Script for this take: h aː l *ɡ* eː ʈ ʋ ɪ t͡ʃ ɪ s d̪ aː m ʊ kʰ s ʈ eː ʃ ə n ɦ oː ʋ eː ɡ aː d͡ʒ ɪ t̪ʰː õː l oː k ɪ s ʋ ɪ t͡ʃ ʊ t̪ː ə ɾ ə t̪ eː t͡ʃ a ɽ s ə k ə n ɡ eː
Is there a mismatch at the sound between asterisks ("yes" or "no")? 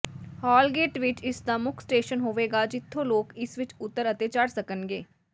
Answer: no